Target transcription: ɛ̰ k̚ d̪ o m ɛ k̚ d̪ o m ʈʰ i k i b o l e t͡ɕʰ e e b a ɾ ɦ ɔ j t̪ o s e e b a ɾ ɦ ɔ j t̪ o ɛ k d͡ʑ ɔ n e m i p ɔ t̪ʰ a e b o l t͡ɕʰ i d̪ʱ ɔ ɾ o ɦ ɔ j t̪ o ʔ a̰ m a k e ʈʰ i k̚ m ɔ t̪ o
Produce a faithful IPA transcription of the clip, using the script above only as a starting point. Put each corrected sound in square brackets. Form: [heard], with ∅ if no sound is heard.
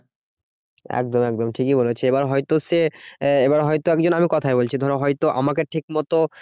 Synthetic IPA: ɛ̰ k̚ d̪ o m ɛ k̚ d̪ o m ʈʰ i k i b o l e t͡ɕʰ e e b a ɾ ɦ ɔ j t̪ o s e e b a ɾ ɦ ɔ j t̪ o ɛ k d͡ʑ [o] n [a] m i [k] ɔ t̪ʰ a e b o l t͡ɕʰ i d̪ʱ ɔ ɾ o ɦ ɔ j t̪ o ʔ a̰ m a k e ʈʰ i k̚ m ɔ t̪ o